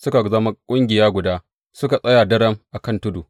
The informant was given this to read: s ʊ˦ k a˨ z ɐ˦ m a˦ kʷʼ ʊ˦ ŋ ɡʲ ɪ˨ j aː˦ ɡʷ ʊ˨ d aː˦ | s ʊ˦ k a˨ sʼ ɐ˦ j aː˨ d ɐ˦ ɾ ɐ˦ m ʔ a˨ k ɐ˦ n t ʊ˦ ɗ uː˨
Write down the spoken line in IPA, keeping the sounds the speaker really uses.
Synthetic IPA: s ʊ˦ k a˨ z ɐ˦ m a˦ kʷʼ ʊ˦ ŋ ɡʲ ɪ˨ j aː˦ ɡʷ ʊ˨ d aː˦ | s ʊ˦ k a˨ sʼ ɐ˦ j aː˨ d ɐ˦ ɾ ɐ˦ m ʔ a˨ k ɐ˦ n t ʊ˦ d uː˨